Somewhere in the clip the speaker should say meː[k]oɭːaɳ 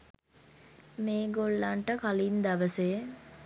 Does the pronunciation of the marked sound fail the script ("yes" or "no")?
yes